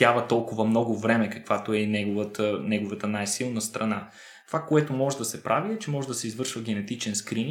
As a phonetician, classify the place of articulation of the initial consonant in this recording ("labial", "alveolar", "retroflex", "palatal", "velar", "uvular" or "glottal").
labial